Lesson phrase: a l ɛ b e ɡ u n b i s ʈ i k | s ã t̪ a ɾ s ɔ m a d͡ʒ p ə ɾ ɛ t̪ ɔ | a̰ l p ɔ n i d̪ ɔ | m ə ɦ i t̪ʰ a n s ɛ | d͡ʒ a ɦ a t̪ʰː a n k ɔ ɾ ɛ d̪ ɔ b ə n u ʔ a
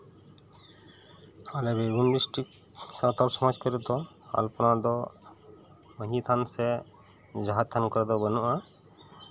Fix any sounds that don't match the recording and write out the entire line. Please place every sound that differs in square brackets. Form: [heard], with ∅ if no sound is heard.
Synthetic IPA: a l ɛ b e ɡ u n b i s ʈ i k | s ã t̪ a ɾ s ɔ m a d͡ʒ [k] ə ɾ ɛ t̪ ɔ | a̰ l p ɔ n [a] d̪ ɔ | m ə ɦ i t̪ʰ a n s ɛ | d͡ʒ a ɦ a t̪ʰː a n k ɔ ɾ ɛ d̪ ɔ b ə n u ʔ a